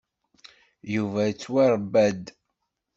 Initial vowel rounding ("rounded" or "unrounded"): rounded